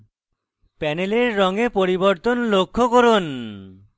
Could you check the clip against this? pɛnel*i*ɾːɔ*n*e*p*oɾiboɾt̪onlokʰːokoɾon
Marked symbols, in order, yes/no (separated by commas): no, no, yes